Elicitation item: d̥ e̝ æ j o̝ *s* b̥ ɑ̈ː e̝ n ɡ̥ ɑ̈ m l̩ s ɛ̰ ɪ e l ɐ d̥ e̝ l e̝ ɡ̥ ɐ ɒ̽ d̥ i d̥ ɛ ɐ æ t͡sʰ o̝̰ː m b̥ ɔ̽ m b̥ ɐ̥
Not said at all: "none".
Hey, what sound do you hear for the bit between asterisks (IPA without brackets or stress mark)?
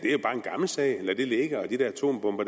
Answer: none